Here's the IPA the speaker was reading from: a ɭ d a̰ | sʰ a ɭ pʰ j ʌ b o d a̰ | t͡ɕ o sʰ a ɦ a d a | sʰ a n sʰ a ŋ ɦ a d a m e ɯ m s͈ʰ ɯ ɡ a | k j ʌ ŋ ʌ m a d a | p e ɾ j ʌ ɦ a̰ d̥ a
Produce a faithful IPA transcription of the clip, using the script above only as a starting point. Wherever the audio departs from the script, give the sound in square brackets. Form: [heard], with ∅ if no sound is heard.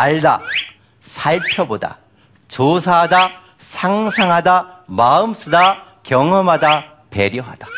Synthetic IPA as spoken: a ɭ d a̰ | sʰ a ɭ pʰ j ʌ b o d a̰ | t͡ɕ o sʰ a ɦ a d a | sʰ a [ŋ] sʰ a ŋ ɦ a d a m [a] ɯ m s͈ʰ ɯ [d] a | k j ʌ ŋ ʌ m a d a | p e ɾ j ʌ ɦ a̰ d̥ a